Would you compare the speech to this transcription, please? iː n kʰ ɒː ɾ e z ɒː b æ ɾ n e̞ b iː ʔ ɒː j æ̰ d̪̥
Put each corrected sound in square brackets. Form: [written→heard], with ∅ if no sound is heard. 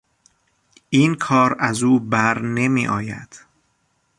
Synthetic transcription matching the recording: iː n kʰ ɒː ɾ [e→æ] z [ɒː→uː] b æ ɾ n e̞ [b→m] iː ʔ ɒː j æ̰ d̪̥